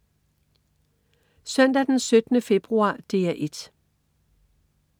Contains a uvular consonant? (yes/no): yes